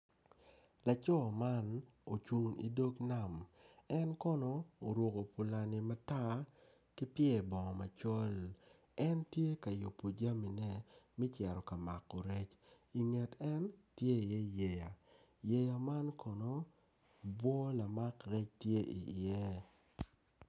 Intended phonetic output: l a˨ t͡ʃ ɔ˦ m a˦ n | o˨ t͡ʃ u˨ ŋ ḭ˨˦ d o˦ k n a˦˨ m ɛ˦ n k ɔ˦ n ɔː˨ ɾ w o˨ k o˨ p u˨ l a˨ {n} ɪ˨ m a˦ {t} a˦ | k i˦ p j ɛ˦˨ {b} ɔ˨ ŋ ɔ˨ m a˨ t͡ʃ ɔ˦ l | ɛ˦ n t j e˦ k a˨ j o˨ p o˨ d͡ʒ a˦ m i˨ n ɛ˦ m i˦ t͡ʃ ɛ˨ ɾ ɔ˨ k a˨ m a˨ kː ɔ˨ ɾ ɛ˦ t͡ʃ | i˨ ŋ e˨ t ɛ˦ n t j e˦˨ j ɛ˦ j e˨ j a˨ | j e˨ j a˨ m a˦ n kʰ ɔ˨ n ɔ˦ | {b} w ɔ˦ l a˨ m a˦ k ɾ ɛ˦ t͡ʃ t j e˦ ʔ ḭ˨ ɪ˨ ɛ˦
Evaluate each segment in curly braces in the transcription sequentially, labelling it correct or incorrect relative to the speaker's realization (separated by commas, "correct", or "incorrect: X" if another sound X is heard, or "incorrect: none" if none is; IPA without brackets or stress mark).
correct, correct, correct, correct